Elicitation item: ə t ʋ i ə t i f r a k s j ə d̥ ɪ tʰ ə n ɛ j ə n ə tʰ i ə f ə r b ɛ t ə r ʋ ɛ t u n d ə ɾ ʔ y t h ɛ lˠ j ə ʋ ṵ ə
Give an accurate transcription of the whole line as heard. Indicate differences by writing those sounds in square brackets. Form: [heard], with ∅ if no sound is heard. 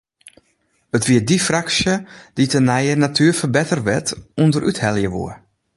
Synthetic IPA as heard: ə t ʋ i ə [d] i f r a k s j ə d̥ [i] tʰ ə n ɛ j ə n [a] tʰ [y] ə f ə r b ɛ t ə r ʋ ɛ t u n d ə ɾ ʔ y t h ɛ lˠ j ə ʋ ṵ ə